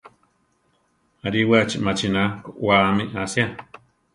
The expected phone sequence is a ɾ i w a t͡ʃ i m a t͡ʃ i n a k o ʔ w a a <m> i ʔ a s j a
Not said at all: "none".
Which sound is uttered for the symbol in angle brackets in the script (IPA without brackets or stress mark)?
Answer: m